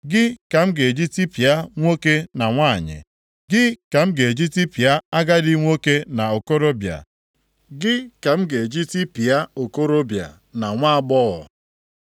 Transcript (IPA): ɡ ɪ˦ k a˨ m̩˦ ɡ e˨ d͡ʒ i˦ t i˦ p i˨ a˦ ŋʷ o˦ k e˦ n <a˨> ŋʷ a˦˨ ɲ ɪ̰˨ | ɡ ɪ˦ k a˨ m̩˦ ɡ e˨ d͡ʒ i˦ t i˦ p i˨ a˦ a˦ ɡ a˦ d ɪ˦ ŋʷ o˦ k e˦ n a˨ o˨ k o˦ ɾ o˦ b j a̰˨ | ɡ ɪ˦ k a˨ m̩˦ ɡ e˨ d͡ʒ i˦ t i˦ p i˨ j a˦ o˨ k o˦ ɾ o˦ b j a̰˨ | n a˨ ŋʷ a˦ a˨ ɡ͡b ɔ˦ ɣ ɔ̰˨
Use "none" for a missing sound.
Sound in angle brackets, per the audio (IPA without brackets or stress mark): a˨